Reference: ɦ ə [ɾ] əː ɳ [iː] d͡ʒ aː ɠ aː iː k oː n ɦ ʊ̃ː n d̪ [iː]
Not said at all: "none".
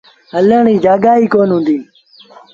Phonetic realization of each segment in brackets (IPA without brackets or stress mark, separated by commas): l, iː, iː